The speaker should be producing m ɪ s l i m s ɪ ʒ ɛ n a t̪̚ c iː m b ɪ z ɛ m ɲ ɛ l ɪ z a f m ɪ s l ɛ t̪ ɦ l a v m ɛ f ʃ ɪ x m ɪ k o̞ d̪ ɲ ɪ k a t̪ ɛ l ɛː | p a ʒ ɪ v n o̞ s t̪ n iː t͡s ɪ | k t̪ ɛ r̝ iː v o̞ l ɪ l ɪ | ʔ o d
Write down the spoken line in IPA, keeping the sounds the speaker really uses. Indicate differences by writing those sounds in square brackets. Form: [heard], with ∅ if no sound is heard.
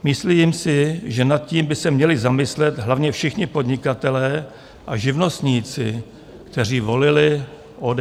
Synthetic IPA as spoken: m ɪ s l i m s ɪ ʒ ɛ n a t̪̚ c iː m b ɪ [s] ɛ m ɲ ɛ l ɪ z a [∅] m ɪ s l ɛ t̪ ɦ l a v [ɲ] ɛ f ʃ ɪ x [ɲ] ɪ [p] o̞ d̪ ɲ ɪ k a t̪ ɛ l ɛː | [ʔ] a ʒ ɪ v n o̞ s t̪ [ɲ] iː t͡s ɪ | k t̪ ɛ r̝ iː v o̞ l ɪ l ɪ | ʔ o d